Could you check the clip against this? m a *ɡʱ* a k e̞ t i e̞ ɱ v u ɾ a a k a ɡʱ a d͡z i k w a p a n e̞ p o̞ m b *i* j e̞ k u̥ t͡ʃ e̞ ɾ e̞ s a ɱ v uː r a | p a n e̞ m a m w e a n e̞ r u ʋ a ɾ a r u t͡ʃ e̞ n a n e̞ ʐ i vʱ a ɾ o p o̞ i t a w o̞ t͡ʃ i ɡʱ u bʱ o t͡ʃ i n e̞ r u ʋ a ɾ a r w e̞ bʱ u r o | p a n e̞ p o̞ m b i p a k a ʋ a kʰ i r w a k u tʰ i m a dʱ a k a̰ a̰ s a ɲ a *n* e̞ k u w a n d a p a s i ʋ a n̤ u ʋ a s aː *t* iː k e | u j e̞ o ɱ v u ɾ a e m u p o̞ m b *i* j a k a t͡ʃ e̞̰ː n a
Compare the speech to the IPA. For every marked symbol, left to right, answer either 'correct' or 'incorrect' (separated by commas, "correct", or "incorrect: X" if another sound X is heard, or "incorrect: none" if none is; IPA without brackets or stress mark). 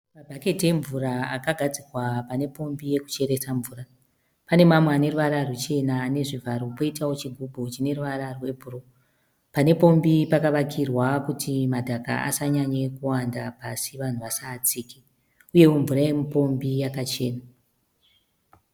incorrect: bʱ, correct, incorrect: ɲ, incorrect: t͡s, correct